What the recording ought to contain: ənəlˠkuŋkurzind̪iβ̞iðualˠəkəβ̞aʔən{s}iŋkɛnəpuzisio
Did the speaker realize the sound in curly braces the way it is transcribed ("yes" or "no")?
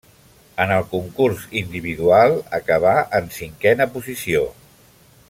yes